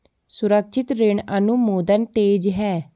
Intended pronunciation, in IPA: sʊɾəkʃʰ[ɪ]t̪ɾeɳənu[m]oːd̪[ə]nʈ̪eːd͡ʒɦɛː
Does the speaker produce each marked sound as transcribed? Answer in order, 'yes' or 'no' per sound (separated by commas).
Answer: yes, yes, yes